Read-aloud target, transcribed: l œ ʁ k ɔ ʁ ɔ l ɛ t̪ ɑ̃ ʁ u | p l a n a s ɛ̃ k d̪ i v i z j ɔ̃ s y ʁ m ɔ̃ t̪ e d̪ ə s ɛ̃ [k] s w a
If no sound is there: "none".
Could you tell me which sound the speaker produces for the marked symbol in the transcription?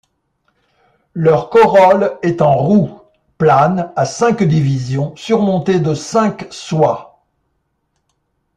k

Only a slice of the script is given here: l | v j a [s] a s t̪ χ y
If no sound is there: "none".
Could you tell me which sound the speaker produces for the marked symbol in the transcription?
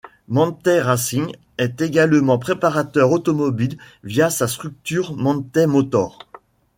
s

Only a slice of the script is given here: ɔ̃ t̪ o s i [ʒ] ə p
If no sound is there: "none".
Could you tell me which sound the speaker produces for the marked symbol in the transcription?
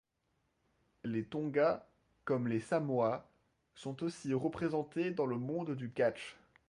ʁ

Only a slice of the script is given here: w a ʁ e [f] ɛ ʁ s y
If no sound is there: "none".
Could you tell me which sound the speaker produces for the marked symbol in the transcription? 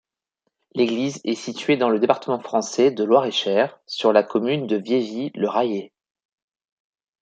ʃ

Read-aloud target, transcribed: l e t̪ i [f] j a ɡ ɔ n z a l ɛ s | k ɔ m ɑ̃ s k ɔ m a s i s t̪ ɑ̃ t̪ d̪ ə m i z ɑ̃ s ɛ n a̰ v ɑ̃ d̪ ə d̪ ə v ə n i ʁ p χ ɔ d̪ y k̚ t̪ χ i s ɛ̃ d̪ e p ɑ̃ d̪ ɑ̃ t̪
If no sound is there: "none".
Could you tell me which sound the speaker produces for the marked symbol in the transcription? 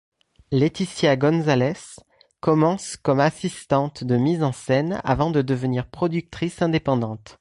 s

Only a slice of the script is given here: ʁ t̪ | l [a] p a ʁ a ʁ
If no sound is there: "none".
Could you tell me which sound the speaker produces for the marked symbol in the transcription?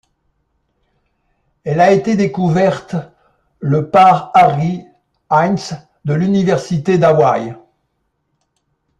ə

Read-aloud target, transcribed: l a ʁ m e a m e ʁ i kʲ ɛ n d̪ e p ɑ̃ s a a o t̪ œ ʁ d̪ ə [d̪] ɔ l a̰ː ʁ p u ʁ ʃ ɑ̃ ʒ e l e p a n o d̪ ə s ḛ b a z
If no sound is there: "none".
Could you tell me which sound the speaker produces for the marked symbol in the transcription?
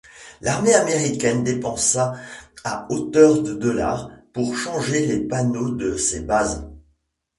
d̪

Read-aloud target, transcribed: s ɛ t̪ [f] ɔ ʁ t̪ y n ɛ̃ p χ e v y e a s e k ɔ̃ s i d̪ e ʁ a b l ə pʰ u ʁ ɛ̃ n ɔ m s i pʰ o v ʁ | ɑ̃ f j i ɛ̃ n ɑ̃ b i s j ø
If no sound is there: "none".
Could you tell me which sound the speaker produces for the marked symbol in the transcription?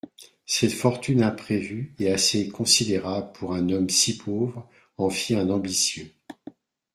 f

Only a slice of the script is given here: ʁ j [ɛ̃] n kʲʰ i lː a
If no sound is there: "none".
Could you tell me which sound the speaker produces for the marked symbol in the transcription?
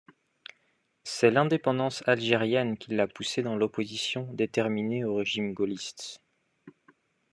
ɛ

